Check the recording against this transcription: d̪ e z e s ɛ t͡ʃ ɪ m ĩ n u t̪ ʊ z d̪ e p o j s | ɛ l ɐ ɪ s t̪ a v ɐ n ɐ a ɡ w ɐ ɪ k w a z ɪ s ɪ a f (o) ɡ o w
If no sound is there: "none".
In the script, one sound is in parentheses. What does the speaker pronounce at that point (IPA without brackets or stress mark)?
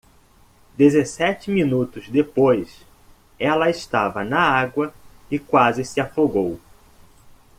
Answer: o